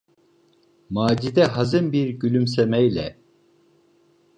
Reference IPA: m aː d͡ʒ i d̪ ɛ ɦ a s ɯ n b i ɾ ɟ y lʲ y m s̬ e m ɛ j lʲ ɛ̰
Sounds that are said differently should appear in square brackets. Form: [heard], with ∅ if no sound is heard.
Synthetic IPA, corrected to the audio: m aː d͡ʒ i d̪ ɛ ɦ a [z] ɯ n b i ɾ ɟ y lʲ y m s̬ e m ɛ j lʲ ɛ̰